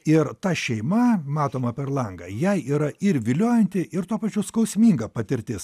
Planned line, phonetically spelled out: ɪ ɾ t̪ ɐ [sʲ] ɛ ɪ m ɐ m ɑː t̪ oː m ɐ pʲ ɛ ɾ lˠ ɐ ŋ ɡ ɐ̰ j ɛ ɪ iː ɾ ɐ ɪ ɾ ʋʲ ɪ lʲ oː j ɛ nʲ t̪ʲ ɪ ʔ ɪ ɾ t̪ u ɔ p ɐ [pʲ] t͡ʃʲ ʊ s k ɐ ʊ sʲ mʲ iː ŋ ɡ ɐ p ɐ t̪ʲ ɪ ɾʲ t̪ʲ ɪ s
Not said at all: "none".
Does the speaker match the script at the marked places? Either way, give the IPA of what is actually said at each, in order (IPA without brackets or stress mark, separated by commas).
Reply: ʃʲ, none